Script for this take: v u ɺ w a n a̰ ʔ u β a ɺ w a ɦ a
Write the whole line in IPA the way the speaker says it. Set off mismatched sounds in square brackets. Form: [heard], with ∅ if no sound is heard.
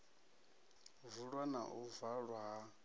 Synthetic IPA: v u ɺ w a n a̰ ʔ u [v] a ɺ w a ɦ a